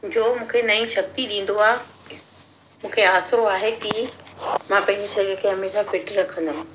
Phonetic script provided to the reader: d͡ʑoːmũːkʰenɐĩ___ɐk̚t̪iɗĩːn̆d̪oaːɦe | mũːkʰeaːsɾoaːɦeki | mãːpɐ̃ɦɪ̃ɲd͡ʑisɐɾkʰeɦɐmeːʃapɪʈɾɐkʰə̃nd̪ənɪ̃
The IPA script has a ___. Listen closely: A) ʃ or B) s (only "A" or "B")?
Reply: A